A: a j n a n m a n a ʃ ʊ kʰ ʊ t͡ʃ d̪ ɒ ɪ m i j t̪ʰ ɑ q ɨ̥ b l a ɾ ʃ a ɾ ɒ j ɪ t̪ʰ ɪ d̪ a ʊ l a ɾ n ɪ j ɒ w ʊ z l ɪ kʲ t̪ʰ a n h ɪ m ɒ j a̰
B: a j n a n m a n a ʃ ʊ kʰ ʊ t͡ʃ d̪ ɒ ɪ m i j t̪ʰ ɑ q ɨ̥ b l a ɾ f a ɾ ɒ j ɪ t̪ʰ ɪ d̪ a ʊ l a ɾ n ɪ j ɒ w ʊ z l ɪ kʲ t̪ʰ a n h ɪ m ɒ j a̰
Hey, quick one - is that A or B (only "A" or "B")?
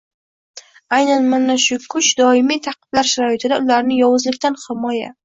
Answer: A